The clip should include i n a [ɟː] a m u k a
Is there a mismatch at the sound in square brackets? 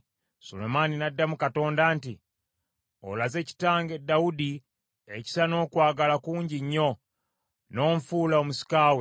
yes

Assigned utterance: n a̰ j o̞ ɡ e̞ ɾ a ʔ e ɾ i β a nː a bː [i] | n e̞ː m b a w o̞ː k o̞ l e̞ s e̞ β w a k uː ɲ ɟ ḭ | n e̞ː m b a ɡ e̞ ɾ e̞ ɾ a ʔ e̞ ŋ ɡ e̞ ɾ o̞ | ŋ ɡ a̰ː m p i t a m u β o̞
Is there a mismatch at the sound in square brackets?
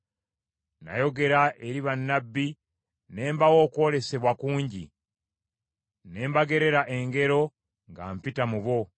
no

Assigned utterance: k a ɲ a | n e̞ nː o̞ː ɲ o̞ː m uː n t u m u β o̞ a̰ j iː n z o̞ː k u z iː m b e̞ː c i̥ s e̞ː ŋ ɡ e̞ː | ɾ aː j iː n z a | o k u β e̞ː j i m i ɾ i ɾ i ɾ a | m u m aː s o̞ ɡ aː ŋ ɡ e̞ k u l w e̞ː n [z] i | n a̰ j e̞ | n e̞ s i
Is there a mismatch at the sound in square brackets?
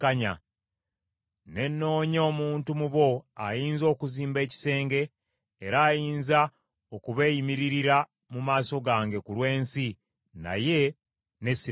yes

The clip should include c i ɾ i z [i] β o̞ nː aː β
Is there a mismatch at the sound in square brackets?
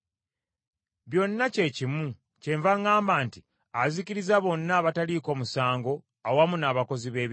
yes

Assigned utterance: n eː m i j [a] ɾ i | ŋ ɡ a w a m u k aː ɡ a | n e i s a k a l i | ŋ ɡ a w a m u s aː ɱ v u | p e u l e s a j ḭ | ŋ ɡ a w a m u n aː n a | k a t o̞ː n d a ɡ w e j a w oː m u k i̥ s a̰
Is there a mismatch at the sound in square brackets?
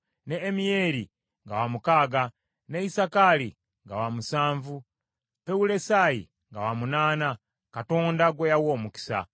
yes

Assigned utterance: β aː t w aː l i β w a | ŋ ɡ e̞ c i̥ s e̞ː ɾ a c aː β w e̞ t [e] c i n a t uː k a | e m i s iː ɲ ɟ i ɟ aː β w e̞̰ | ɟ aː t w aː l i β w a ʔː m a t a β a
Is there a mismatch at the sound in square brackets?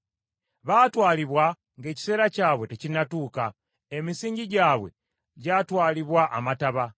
no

